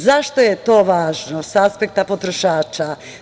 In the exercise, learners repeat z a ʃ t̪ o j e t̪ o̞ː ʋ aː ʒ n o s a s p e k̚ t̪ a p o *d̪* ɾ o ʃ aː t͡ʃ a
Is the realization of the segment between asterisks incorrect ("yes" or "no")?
yes